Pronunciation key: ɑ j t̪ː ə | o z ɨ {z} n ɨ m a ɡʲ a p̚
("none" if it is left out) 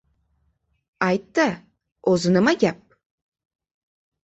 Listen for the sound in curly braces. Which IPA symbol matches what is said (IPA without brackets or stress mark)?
none